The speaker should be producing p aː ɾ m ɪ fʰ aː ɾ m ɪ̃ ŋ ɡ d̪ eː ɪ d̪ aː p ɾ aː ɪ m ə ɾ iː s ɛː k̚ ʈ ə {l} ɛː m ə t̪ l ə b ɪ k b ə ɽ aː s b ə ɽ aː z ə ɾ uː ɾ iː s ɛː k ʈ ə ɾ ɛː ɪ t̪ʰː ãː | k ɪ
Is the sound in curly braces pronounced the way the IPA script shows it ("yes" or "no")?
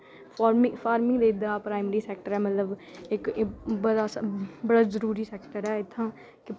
no